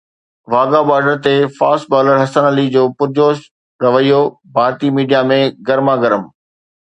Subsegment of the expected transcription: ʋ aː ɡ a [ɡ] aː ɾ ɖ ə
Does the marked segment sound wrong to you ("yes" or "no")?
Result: yes